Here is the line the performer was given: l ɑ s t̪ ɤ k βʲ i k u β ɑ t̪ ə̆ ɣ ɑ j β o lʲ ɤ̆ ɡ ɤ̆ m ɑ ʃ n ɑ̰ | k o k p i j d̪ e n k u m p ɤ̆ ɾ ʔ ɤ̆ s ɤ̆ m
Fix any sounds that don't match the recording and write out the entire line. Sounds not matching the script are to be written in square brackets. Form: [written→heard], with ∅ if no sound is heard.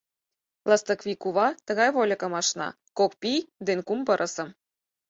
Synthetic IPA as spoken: l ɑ s t̪ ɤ k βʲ i k u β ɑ t̪ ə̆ ɣ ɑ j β o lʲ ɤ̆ [ɡ→k] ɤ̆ m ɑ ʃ n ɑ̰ | k o k p i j d̪ e n k u m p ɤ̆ ɾ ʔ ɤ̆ s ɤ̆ m